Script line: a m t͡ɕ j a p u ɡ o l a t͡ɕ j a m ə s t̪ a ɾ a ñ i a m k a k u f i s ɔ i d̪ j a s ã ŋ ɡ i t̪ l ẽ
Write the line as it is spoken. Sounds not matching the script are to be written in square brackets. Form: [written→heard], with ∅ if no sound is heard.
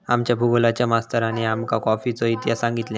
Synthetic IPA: a m t͡ɕ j a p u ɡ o l a t͡ɕ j a m [ə→a] s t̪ [a→ə] ɾ a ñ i a m k a k [u→ɔ] f i [s→t͡s] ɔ i [d̪→t̪] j a s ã ŋ ɡ i t̪ l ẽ